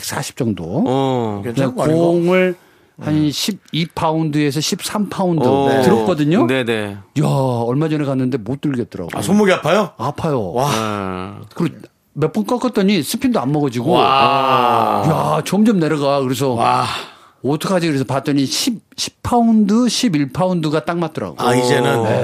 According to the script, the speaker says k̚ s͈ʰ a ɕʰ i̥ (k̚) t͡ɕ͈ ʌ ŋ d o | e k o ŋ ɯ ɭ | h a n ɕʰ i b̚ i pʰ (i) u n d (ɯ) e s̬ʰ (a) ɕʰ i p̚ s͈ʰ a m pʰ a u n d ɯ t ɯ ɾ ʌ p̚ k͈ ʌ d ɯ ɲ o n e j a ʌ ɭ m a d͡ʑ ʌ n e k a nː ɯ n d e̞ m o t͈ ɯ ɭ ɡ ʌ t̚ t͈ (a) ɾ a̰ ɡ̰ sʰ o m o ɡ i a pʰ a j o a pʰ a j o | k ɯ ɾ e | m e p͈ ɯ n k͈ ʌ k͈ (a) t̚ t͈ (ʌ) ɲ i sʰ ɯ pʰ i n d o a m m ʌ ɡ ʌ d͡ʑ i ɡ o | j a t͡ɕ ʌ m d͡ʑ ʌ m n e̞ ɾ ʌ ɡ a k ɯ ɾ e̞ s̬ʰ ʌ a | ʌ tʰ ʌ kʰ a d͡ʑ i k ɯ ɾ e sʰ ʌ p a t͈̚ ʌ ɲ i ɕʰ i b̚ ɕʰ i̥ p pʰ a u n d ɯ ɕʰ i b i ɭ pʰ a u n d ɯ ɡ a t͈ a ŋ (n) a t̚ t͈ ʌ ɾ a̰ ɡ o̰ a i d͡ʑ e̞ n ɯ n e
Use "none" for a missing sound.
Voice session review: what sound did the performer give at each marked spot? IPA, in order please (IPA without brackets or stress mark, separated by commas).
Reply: p̚, a, ɯ, ʌ, ʌ, ʌ, ʌ, m